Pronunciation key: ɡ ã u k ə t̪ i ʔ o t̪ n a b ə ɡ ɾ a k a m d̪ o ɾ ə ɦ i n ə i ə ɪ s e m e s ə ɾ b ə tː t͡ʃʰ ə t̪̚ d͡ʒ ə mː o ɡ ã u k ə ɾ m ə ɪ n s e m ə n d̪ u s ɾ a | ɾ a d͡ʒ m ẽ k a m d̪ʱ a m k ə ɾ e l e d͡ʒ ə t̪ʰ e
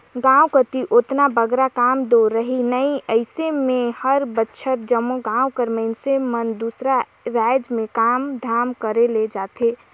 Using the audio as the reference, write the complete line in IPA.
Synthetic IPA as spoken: ɡ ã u k ə t̪ i ʔ o t̪ n a b ə ɡ ɾ a k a m d̪ o ɾ ə ɦ i n ə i ə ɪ s e m e h ə ɾ b ə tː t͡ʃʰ ə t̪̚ d͡ʒ ə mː o ɡ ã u k ə ɾ m ə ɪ n s e m ə n d̪ u s ɾ a | ɾ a d͡ʒ m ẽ k a m d̪ʱ a m k ə ɾ e l e d͡ʒ a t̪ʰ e